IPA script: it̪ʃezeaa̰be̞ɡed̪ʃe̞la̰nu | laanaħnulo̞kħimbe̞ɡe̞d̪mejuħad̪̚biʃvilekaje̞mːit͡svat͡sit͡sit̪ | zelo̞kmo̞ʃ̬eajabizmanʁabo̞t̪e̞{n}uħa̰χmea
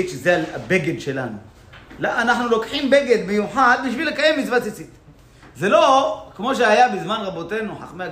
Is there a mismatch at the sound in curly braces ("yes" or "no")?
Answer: no